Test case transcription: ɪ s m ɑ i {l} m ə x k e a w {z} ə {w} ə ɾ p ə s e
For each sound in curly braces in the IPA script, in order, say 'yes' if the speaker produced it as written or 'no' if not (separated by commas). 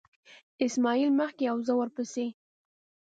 yes, yes, yes